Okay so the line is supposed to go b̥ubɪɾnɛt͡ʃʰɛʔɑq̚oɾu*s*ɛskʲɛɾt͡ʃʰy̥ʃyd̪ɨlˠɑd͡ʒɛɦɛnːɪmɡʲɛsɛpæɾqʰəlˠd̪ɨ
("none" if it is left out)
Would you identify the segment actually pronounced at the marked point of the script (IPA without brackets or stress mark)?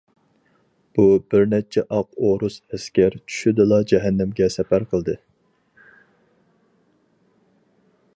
s